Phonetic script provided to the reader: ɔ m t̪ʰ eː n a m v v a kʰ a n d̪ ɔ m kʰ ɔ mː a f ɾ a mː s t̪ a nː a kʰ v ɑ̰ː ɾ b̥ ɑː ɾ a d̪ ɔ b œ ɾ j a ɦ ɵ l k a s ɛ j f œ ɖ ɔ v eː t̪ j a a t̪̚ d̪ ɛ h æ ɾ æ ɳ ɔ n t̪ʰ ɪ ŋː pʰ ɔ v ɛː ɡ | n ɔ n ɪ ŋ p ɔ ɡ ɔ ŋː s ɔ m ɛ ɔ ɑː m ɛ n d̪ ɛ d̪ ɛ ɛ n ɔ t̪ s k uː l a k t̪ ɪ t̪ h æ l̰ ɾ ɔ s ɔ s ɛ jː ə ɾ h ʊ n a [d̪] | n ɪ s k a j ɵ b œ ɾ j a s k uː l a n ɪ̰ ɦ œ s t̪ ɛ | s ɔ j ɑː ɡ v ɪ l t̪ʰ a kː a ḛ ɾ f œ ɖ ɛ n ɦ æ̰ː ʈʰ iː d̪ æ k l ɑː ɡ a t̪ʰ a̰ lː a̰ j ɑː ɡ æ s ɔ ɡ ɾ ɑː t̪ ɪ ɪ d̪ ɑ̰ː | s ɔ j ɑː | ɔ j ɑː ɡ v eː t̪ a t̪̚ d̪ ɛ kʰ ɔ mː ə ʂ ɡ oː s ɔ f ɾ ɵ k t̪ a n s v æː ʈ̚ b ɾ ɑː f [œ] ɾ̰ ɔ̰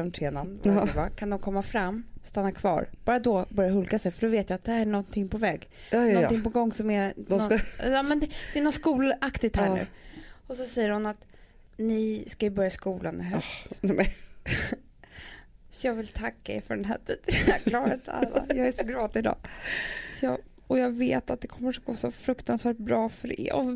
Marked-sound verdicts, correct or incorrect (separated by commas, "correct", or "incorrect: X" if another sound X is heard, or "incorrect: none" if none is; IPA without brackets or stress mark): incorrect: t̪, correct